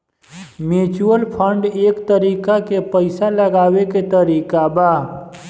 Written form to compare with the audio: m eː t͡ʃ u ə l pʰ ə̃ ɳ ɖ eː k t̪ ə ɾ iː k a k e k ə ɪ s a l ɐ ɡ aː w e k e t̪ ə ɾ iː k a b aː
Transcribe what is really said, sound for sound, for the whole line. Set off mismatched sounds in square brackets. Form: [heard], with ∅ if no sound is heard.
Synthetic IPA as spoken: m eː t͡ʃ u ə l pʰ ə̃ ɳ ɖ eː k t̪ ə ɾ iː k a k e [p] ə ɪ s a l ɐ ɡ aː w e k e t̪ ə ɾ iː k a b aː